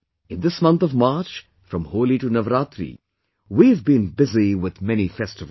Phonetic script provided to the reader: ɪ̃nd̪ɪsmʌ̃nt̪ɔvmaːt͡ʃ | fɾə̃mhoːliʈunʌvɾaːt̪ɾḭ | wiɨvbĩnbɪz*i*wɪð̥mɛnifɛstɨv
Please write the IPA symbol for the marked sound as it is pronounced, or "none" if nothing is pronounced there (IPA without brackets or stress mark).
i